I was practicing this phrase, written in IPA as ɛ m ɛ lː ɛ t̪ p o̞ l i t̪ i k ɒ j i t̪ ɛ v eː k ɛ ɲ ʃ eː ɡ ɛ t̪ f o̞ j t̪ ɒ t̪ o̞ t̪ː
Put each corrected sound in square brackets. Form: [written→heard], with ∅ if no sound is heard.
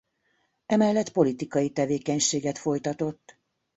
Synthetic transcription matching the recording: ɛ m ɛ lː ɛ t̪ p o̞ l i t̪ i k ɒ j i t̪ ɛ v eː k ɛ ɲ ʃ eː ɡ ɛ t̪ f o̞ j t̪ ɒ t̪ o̞ t̪ː